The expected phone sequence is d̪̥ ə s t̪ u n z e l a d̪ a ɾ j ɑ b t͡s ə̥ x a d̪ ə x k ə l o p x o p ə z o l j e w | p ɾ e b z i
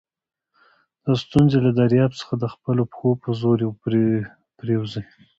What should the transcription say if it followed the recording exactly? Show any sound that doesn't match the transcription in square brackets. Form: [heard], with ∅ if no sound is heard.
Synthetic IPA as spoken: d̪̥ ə s t̪ u n z e l a d̪ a ɾ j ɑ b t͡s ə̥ x a d̪ ə x [p] ə l o p x o p ə z o [ɾ] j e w | p ɾ e [w] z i